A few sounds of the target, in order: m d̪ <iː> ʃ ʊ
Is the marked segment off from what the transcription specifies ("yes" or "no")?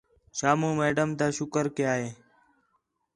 yes